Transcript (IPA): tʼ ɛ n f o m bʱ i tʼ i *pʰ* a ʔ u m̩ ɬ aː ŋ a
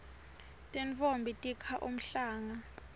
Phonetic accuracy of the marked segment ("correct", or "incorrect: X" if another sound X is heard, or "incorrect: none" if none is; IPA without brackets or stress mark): incorrect: kʰ